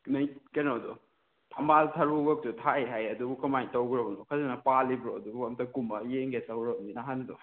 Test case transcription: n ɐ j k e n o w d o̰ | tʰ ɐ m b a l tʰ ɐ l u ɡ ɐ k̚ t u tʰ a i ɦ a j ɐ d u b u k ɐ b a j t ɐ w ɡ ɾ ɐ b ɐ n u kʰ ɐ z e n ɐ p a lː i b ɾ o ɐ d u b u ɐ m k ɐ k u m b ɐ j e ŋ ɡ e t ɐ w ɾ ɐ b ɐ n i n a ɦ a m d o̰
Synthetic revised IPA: n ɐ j k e n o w d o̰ | tʰ ɐ m b a l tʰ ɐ ɾ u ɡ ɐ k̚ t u tʰ a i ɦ a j ɐ d u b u k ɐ m a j t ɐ w ɡ ɾ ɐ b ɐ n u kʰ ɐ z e n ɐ p a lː i b ɾ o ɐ d u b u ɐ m t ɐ k u m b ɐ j e ŋ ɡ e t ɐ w ɾ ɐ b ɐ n i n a ɦ a n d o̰